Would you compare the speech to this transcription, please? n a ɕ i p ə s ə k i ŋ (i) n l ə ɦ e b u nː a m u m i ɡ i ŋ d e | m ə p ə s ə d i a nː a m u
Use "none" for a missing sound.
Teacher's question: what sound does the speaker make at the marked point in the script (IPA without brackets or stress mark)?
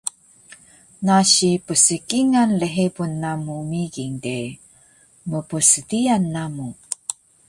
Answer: a